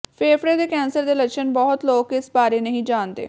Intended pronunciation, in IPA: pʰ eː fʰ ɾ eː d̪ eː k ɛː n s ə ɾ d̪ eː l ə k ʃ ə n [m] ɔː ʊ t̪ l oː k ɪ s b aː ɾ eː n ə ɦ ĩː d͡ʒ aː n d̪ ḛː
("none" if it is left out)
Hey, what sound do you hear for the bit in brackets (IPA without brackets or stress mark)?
b